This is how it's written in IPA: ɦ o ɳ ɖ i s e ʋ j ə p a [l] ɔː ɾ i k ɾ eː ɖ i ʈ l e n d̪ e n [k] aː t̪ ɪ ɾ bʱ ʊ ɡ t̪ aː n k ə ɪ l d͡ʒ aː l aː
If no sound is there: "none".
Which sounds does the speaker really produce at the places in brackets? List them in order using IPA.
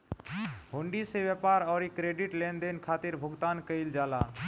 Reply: ɾ, kʰ

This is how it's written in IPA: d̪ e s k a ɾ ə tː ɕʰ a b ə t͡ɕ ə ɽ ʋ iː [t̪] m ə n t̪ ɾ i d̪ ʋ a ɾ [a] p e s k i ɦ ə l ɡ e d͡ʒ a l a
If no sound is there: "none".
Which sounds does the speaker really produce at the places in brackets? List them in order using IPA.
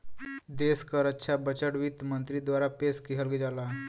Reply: t̪, a

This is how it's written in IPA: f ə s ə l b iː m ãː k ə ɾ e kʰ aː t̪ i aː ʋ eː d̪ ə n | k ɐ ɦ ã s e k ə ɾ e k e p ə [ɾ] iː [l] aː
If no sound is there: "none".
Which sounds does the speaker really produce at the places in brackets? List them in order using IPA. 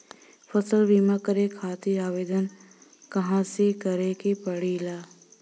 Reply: ɽ, l

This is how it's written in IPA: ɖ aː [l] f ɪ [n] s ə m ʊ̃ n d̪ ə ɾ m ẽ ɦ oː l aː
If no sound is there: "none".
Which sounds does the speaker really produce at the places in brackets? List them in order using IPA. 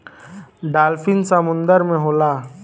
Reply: l, n

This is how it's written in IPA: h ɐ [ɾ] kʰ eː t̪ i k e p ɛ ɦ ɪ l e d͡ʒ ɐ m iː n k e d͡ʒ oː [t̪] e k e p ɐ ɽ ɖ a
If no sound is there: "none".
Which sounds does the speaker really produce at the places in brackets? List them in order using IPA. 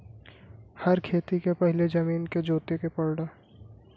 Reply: ɾ, t̪

